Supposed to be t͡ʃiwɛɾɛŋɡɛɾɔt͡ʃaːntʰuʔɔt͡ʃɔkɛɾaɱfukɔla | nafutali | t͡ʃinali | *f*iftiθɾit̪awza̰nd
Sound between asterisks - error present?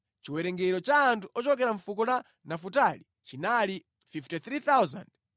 no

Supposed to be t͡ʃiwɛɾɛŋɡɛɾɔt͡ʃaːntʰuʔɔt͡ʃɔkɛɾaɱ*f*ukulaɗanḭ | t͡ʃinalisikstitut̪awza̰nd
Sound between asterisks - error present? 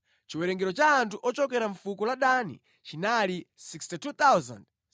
no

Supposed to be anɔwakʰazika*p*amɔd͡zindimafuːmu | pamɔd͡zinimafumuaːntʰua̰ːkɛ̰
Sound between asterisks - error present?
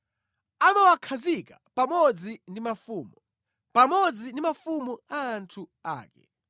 no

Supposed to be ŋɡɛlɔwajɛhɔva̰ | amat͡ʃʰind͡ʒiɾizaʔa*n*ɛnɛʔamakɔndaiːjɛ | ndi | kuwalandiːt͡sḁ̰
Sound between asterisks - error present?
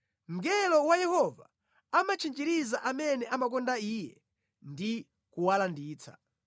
yes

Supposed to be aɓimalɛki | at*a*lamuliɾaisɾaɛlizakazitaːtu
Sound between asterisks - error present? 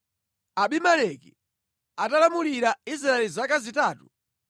no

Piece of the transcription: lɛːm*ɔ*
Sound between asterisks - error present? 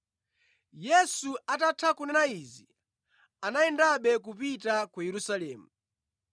yes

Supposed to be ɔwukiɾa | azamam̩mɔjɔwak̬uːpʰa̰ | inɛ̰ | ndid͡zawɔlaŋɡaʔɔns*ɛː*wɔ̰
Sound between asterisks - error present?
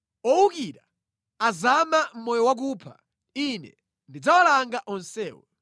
no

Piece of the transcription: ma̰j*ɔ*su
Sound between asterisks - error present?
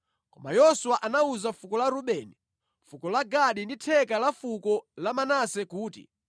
no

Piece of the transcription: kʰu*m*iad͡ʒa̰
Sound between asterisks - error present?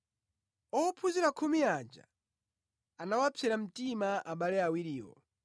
no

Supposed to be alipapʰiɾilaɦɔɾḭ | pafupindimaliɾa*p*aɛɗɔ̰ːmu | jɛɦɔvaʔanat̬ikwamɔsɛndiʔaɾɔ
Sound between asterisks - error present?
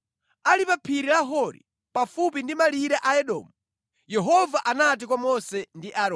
yes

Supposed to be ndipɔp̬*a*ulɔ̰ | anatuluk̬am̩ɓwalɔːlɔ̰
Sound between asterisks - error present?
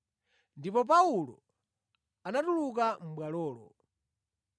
no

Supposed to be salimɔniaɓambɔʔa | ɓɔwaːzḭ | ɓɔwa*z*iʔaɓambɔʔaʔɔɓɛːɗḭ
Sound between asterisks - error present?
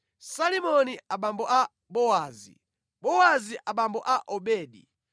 no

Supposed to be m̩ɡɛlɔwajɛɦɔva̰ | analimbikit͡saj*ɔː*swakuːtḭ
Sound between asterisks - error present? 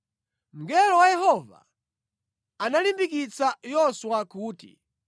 yes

